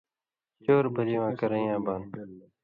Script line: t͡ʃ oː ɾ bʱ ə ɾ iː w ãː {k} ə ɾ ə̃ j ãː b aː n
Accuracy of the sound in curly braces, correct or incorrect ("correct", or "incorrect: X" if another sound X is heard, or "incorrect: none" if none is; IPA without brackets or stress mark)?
correct